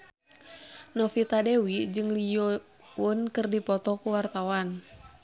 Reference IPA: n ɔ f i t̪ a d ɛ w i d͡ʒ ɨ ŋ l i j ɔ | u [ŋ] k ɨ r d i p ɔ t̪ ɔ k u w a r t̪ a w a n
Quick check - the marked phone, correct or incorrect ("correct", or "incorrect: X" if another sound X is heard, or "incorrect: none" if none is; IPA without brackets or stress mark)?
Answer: incorrect: n